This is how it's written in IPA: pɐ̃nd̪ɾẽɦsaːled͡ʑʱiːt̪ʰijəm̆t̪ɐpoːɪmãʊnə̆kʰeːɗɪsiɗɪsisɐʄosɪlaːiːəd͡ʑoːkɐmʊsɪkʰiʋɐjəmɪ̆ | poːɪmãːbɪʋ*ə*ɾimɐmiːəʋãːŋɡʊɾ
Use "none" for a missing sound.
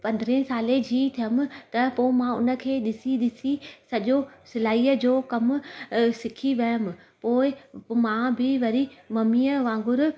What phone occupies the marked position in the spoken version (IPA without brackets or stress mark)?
ɐ